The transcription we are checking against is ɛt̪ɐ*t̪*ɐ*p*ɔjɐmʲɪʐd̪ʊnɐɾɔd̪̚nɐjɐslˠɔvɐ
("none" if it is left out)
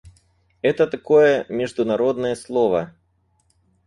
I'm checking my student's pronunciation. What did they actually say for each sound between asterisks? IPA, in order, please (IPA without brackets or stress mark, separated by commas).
t̪, k